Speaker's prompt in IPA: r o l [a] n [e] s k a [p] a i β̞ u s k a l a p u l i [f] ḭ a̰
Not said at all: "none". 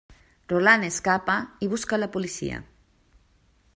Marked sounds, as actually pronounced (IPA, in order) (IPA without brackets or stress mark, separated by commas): a, e, p, s